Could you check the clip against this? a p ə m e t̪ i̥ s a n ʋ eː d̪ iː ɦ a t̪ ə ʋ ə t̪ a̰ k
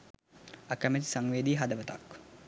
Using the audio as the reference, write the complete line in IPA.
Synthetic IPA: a k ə m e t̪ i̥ s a ŋ ʋ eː d̪ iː ɦ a d̪ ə ʋ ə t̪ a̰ k